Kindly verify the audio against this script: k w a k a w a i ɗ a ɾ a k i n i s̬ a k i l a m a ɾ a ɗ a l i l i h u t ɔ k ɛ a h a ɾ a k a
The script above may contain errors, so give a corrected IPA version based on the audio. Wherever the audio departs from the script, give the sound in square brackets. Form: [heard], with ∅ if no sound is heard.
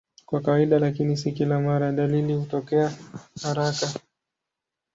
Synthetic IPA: k w a k a w a i ɗ a [l] a k i n i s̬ [i] k i l a m a ɾ a ɗ a l i l i h u t ɔ k ɛ a h a ɾ a k a